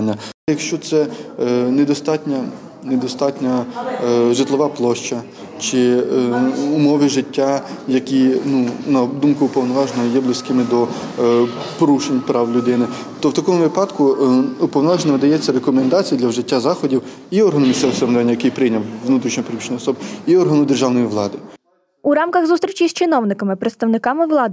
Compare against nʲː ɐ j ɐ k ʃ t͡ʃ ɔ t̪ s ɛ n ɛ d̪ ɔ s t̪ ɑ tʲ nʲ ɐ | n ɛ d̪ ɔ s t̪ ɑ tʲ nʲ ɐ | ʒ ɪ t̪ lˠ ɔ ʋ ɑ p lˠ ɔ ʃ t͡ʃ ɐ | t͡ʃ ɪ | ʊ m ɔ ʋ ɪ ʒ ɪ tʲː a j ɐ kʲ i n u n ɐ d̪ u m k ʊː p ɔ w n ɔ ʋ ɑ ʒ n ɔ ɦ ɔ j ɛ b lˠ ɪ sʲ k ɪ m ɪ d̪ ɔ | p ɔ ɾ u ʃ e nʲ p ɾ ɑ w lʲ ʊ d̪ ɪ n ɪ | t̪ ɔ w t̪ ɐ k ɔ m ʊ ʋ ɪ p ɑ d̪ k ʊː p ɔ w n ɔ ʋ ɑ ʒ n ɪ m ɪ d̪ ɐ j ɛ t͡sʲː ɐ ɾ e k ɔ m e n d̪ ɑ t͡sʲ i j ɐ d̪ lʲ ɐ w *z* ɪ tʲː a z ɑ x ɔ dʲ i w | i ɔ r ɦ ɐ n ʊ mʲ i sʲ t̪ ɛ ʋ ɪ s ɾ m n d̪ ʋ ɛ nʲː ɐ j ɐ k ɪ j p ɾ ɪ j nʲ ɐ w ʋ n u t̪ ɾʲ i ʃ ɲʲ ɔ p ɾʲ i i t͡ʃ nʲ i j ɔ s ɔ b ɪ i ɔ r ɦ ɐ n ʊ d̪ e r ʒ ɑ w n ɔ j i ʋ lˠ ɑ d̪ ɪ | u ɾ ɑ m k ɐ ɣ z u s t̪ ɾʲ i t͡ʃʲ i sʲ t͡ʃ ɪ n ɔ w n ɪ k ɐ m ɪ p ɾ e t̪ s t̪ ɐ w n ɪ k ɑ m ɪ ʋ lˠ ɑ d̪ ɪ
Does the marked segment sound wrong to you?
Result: yes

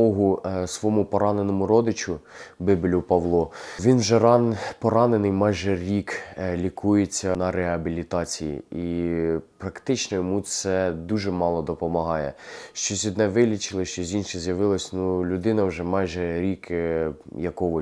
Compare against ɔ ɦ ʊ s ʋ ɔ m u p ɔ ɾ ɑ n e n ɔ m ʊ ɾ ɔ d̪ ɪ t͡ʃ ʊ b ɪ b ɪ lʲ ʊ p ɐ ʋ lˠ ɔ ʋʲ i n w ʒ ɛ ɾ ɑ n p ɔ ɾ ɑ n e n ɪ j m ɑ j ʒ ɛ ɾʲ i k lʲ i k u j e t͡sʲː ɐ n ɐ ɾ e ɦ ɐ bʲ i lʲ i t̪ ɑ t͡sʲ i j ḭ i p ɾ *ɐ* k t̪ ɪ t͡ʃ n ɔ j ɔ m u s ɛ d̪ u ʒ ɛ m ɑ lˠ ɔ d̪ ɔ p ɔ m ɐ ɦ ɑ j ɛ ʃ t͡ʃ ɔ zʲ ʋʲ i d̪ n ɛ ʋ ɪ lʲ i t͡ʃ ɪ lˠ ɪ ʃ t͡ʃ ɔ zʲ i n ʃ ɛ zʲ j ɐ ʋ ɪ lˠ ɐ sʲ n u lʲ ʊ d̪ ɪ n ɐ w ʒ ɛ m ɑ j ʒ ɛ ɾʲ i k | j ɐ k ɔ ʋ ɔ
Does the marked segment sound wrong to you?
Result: no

